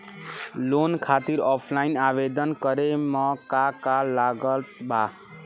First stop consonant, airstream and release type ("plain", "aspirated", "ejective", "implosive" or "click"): aspirated